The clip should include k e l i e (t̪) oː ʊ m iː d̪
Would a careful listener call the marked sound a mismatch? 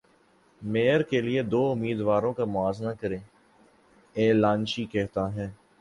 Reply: yes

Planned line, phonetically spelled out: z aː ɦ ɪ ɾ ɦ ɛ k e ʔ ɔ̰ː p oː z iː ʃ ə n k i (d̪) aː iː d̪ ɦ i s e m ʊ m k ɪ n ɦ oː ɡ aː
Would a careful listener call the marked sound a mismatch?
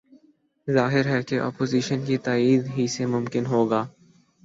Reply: yes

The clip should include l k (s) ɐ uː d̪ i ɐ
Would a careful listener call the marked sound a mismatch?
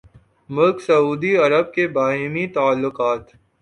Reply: no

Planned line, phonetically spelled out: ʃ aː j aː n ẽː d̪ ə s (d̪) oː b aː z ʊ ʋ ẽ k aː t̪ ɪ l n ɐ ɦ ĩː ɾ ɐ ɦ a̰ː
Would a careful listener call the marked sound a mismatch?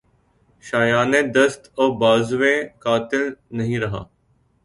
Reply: yes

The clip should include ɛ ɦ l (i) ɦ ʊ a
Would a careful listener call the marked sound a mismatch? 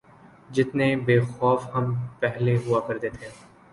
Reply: yes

